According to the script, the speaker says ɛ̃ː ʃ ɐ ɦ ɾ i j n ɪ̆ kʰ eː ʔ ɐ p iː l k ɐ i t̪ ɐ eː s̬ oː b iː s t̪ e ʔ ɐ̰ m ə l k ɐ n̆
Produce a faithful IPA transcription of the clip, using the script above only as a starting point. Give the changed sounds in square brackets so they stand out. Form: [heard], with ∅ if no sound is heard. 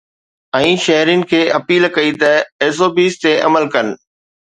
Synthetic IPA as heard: ɛ̃ː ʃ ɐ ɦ ɾ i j n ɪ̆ kʰ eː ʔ ɐ p iː l k ɐ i t̪ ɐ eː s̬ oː b iː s t̪ e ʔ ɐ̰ m ə l k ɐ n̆